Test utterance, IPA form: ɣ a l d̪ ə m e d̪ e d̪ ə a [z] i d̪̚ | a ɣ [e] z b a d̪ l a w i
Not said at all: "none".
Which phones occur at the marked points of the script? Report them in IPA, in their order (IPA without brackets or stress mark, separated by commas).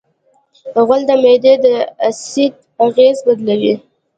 s, e